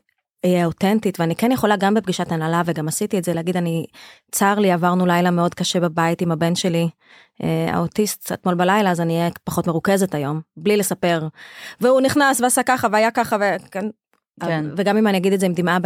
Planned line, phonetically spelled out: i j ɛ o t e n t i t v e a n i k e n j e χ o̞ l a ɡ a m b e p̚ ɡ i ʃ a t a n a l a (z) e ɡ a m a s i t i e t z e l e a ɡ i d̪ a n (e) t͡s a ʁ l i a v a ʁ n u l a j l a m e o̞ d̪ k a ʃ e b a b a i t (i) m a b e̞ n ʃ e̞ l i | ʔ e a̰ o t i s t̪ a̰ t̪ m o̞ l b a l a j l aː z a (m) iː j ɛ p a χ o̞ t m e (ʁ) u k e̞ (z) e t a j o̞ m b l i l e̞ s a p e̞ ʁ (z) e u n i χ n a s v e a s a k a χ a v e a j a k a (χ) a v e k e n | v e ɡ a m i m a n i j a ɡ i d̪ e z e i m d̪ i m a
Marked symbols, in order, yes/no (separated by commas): no, no, yes, no, yes, yes, no, yes